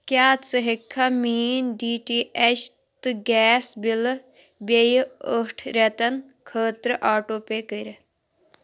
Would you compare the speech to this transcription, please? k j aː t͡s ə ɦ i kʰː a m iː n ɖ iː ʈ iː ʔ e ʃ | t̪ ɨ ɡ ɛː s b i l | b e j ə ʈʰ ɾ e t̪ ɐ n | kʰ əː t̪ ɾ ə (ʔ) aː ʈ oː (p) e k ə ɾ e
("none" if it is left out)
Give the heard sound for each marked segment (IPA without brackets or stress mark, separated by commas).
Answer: ʔ, p